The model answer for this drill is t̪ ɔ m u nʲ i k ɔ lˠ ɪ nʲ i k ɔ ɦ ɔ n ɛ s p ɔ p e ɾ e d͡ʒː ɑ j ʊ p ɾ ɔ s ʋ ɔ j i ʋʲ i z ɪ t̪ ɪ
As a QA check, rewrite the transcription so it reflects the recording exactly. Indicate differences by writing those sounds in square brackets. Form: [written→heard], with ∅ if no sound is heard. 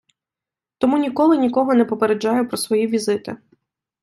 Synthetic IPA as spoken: t̪ ɔ m u nʲ i k ɔ lˠ ɪ nʲ i k ɔ ɦ ɔ n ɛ [s→∅] p ɔ p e ɾ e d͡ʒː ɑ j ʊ p ɾ ɔ s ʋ ɔ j i ʋʲ i z ɪ t̪ ɪ